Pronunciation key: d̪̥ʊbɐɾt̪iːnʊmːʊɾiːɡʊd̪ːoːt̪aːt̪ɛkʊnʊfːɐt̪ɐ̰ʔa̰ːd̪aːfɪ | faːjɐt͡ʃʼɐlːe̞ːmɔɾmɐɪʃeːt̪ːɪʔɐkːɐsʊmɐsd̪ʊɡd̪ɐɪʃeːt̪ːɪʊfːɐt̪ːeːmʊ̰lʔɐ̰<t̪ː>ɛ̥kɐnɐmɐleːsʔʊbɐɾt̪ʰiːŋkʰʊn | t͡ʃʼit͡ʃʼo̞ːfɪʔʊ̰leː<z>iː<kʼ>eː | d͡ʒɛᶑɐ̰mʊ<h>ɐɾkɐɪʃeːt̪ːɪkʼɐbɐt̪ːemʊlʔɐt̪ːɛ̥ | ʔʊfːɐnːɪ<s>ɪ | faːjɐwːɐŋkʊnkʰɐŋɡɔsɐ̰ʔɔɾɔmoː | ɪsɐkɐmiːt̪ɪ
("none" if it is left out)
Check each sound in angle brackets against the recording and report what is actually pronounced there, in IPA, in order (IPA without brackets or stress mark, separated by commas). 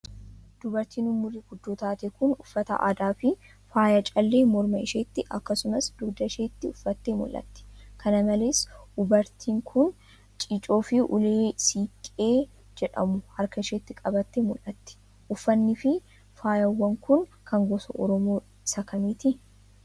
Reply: t̪ː, s, kʼ, h, f